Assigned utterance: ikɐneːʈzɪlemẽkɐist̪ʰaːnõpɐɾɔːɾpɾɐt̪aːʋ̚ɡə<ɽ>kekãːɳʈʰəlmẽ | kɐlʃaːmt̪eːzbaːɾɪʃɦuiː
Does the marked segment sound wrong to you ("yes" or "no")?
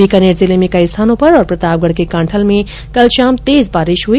no